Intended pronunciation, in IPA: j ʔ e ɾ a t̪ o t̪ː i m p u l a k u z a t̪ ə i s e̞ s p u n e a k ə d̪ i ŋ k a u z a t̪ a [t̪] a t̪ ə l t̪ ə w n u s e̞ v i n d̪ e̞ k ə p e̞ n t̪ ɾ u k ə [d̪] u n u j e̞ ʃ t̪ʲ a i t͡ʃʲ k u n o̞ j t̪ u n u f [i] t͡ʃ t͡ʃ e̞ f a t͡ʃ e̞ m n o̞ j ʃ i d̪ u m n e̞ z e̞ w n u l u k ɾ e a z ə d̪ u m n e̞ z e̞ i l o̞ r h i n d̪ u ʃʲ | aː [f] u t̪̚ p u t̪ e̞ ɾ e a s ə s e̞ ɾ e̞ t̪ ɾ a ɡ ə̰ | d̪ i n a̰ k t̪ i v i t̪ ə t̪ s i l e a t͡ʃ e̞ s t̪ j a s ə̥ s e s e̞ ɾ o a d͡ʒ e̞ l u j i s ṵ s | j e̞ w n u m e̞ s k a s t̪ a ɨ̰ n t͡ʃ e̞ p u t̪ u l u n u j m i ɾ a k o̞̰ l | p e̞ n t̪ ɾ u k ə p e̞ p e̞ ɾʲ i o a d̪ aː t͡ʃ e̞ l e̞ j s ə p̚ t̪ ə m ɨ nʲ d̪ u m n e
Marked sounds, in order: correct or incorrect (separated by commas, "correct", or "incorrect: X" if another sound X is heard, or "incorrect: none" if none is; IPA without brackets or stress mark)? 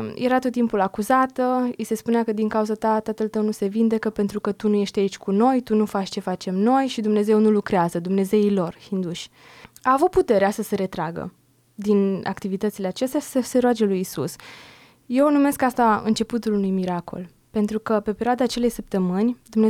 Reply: correct, incorrect: t̪, incorrect: a, incorrect: v